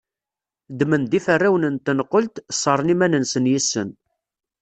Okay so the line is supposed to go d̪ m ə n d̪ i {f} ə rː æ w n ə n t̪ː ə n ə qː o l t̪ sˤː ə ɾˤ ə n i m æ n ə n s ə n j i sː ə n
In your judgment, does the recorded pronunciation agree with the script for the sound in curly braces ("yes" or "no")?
yes